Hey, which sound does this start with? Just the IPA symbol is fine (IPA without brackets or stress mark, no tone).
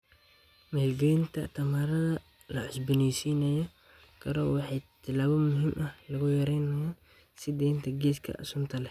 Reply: m